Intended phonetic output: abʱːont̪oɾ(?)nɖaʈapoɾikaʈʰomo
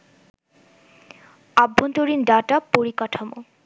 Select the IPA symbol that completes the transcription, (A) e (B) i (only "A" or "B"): B